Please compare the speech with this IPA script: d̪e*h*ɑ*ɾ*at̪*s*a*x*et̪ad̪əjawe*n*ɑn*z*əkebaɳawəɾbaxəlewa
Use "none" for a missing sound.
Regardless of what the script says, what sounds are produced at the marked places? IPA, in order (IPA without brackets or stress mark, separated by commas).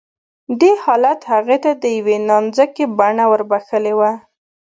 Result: h, l, h, ɣ, n, z